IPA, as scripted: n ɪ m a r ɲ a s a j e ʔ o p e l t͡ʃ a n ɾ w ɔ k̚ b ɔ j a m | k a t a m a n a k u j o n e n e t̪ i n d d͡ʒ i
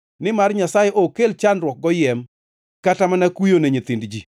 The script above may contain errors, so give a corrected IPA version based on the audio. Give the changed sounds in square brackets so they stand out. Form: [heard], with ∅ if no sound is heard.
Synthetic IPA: n ɪ m a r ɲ a s a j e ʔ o [k] e l t͡ʃ a n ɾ w ɔ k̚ [ɡ] ɔ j [ɛ] m | k a t a m a n a k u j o n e [ɲ] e t̪ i n d d͡ʒ i